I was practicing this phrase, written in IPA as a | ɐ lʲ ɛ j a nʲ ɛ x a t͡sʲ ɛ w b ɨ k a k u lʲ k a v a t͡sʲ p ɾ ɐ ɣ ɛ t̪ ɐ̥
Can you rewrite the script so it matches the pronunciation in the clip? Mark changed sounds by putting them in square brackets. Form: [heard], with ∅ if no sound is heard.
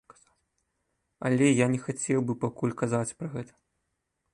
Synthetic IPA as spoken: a | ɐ lʲ ɛ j a nʲ ɛ x a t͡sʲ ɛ w b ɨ [p] a k u lʲ k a [z] a t͡sʲ p ɾ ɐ ɣ ɛ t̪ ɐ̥

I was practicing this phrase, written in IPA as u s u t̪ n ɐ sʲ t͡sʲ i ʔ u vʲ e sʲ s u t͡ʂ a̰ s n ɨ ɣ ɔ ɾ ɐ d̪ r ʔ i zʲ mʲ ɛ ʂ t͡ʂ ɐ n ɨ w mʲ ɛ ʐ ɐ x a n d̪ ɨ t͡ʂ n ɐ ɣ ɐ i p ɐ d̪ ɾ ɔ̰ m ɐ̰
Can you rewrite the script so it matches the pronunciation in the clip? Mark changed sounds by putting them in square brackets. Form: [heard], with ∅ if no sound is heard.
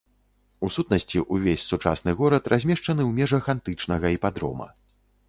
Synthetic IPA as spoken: u s u t̪ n ɐ sʲ t͡sʲ i ʔ u vʲ e sʲ s u t͡ʂ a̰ s n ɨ ɣ ɔ ɾ ɐ [t̪] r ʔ [a] zʲ mʲ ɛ ʂ t͡ʂ ɐ n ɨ w mʲ ɛ ʐ ɐ x a n [t̪] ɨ t͡ʂ n ɐ ɣ ɐ i p [a] d̪ ɾ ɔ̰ m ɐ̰

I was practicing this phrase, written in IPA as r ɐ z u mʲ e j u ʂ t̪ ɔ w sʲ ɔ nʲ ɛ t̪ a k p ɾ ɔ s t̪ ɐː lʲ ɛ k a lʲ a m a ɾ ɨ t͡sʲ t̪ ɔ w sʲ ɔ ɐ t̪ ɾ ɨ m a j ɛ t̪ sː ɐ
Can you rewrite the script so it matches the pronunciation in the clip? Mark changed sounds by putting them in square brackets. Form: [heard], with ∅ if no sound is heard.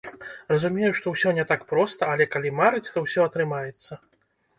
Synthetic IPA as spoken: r ɐ z u mʲ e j u ʂ t̪ ɔ w sʲ ɔ nʲ ɛ t̪ a k p ɾ ɔ s t̪ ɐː lʲ ɛ k a lʲ [i] m a ɾ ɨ t͡sʲ t̪ ɔ w sʲ ɔ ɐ t̪ ɾ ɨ m a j ɛ t̪ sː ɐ

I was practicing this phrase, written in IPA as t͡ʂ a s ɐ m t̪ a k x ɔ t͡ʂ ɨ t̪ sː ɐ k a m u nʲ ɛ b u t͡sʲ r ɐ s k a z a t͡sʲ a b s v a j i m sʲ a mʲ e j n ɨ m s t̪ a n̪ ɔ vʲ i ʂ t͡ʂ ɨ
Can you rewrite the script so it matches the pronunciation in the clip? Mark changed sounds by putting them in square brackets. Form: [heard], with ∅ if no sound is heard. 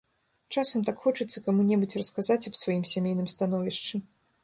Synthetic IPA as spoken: t͡ʂ a s ɐ m t̪ a k x ɔ t͡ʂ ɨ t̪ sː ɐ k a m u nʲ ɛ b u t͡sʲ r ɐ s k a z a t͡sʲ [ɐ] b s v a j i m sʲ a mʲ e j n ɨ m s t̪ a n̪ ɔ vʲ i ʂ t͡ʂ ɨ

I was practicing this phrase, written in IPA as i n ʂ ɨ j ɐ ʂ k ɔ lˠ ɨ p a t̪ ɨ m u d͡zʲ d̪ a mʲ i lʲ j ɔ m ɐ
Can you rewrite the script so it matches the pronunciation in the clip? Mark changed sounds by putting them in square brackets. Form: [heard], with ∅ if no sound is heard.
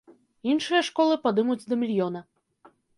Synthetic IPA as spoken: i n ʂ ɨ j ɐ ʂ k ɔ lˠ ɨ p a [d̪] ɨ m u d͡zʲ d̪ [ɐ] mʲ i lʲ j ɔ [n] ɐ

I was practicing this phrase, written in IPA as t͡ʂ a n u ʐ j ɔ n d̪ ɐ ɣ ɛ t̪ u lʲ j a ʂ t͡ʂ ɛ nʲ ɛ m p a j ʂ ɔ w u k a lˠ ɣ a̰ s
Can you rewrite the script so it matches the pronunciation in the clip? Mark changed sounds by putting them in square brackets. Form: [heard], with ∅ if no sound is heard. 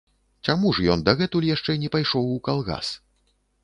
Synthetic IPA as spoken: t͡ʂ a [m] u ʐ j ɔ n d̪ ɐ ɣ ɛ t̪ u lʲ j a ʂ t͡ʂ ɛ nʲ ɛ [∅] p a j ʂ ɔ w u k a lˠ ɣ a̰ s

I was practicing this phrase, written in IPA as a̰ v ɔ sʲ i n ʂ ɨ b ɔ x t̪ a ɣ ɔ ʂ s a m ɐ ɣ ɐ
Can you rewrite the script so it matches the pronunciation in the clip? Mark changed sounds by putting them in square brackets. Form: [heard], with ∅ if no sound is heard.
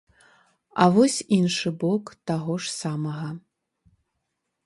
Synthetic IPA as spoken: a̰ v ɔ sʲ i n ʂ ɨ b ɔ [k] t̪ a ɣ ɔ ʂ s a m ɐ ɣ ɐ

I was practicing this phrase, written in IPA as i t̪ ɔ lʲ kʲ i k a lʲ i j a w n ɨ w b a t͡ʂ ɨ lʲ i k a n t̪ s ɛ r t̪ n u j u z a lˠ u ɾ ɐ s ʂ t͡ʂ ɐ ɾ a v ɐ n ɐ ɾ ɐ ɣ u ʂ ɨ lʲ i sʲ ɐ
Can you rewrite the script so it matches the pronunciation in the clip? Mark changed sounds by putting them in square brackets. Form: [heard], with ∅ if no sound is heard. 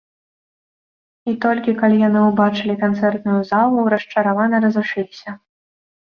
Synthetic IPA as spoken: i t̪ ɔ lʲ kʲ i k a lʲ i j a [∅] n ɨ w b a t͡ʂ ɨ lʲ i k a n t̪ s ɛ r t̪ n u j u z a lˠ u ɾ ɐ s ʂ t͡ʂ ɐ ɾ a v [a] n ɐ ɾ ɐ [z] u ʂ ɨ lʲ i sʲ ɐ

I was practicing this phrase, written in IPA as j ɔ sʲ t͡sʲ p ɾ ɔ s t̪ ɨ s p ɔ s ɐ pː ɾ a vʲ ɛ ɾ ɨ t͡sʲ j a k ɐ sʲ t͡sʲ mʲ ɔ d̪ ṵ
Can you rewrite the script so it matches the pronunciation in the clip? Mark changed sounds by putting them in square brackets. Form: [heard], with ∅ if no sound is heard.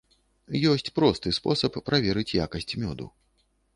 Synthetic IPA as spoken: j ɔ sʲ t͡sʲ p ɾ ɔ s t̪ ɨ s p ɔ s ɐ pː ɾ a vʲ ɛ ɾ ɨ t͡sʲ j a k ɐ sʲ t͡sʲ mʲ ɔ d̪ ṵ

